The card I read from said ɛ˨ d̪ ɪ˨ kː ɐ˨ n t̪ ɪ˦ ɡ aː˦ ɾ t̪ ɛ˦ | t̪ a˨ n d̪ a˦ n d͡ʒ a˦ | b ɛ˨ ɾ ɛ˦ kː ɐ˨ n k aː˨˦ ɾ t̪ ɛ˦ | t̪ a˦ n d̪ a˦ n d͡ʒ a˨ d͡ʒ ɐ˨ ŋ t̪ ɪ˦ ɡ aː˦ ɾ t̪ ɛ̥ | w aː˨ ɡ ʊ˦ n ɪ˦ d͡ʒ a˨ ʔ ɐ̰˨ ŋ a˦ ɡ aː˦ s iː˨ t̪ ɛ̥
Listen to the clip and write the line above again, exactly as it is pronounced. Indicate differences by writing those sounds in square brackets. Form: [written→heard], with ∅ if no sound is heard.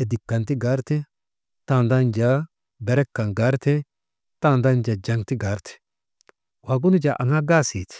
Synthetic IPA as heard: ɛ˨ d̪ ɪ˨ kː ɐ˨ n t̪ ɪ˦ ɡ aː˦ ɾ t̪ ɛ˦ | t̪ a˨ n d̪ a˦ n d͡ʒ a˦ | b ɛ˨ ɾ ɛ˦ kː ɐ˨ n [k→ɡ] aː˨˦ ɾ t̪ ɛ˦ | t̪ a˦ n d̪ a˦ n d͡ʒ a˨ d͡ʒ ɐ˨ ŋ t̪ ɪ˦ ɡ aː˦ ɾ t̪ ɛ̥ | w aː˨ ɡ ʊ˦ n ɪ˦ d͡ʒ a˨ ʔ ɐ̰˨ ŋ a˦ ɡ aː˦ s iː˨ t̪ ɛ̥